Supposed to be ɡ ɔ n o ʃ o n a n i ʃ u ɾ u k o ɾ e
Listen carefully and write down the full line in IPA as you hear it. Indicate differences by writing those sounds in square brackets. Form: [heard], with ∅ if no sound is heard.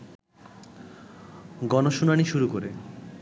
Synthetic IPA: ɡ ɔ n o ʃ [u] n a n i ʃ u ɾ u k o ɾ e